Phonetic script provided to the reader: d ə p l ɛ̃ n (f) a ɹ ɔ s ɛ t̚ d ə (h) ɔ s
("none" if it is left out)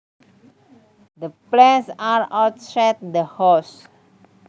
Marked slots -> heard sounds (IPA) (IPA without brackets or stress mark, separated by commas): s, h